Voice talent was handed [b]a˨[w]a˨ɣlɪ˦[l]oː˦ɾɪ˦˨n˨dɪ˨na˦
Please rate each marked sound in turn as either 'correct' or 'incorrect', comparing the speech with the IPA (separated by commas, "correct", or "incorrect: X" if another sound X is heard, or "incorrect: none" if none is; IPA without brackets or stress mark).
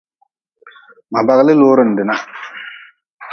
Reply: incorrect: m, incorrect: b, correct